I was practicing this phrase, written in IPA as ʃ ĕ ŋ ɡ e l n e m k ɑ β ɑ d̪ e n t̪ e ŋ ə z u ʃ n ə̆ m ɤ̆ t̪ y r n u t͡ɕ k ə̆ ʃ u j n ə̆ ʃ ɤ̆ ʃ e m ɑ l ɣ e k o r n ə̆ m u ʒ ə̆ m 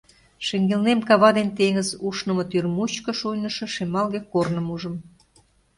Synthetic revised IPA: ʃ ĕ ŋ ɡ e l n e m k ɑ β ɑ d̪ e n t̪ e ŋ ə z u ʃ n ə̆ m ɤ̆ t̪ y r m u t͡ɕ k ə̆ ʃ u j n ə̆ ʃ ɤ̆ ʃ e m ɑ l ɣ e k o r n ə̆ m u ʒ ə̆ m